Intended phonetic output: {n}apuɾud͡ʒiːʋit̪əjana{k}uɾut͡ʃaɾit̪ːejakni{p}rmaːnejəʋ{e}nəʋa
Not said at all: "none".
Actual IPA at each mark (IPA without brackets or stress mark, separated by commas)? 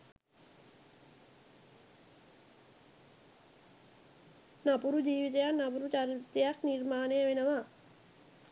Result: n, p, none, e